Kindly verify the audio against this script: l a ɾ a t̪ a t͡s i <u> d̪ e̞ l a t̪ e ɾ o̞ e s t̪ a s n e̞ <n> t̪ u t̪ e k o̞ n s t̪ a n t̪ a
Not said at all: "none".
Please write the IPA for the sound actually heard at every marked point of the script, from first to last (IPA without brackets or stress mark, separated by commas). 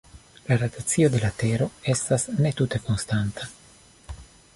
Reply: o, none